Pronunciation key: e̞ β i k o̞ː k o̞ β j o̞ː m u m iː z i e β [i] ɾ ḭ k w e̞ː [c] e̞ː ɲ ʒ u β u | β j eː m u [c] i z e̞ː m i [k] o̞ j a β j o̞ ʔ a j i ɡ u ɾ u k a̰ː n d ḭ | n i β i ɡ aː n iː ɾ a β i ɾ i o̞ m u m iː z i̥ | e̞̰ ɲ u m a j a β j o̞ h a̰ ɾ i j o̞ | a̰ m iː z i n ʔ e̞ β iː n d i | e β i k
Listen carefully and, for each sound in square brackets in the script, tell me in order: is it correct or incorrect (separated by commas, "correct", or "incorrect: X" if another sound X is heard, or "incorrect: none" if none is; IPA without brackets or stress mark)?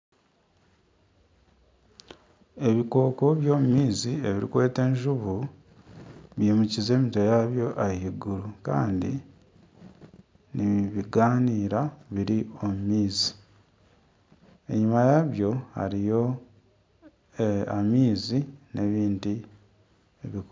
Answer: correct, incorrect: t, correct, incorrect: t